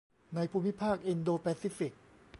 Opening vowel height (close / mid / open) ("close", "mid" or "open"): open